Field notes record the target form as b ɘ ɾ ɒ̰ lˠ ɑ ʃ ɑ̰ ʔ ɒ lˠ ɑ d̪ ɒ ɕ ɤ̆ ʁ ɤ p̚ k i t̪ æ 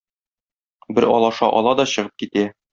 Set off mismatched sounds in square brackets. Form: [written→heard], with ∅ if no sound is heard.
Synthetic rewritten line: b ɘ ɾ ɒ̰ lˠ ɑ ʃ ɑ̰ ʔ ɒ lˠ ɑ d̪ ɒ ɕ ɤ̆ ʁ ɤ p̚ k i t̪ æ